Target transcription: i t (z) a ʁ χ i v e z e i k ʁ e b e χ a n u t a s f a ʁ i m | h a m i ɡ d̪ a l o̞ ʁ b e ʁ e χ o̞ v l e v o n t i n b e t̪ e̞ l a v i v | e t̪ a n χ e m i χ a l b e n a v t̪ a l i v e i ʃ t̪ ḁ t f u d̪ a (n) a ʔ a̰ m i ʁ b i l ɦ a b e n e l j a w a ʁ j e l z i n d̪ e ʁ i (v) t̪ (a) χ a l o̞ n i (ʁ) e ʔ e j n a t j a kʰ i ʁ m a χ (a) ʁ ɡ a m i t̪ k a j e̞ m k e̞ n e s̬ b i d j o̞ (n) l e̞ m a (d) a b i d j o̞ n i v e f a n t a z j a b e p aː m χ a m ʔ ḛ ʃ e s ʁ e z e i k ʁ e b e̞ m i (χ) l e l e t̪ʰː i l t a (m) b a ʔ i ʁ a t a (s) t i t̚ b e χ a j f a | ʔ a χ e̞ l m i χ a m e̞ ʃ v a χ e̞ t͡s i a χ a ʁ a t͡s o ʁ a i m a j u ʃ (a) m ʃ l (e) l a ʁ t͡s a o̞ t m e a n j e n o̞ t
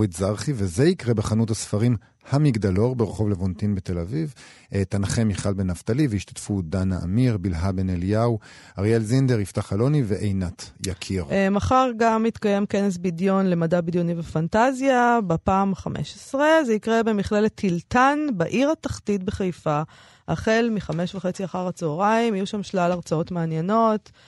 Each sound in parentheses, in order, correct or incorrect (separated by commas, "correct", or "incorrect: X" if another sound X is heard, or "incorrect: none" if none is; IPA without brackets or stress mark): correct, correct, incorrect: f, correct, incorrect: v, correct, correct, correct, correct, incorrect: n, incorrect: χ, correct, incorrect: a